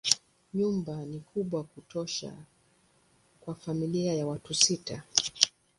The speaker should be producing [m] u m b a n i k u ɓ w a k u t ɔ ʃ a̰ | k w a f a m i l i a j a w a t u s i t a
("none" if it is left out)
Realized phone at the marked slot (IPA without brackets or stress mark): ɲ